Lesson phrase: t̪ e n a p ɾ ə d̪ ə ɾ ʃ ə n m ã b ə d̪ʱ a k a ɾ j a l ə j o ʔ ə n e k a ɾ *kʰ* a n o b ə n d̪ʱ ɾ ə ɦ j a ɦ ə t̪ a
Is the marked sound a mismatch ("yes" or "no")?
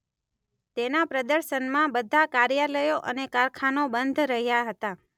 no